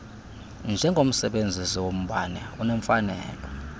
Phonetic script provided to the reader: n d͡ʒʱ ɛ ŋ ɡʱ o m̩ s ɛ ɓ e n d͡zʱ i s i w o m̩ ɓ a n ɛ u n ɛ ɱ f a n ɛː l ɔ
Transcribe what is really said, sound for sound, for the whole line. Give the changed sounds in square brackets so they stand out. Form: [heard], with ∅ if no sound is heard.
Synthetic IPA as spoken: n d͡ʒʱ ɛ ŋ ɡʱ o m̩ s ɛ ɓ e n d͡zʱ i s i w o m̩ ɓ a n ɛ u n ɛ ɱ f a n ɛː l ɔ